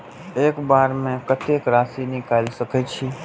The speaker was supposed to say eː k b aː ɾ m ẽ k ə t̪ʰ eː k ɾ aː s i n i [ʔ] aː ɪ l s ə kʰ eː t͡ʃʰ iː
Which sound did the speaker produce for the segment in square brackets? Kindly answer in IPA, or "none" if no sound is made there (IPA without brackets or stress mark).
k